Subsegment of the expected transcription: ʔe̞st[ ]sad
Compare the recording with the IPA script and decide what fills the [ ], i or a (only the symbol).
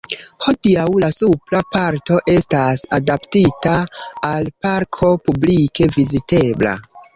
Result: a